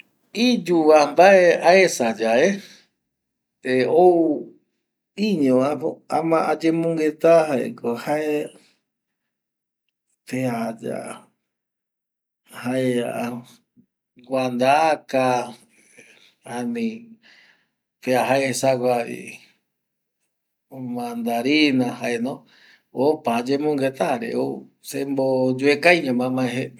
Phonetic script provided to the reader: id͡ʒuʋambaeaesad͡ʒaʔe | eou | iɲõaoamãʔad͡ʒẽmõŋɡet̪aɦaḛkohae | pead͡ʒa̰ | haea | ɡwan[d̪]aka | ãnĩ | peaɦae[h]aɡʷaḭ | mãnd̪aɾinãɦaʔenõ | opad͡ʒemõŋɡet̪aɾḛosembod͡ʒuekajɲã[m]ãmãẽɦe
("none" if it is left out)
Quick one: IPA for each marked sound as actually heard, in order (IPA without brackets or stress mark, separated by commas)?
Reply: d̪, s, m